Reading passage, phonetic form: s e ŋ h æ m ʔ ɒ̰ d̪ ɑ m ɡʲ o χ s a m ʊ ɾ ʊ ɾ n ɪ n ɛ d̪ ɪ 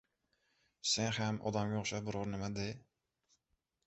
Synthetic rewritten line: s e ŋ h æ m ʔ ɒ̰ d̪ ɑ m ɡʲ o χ ʃ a b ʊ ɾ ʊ ɾ n ɪ m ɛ d̪ ɪ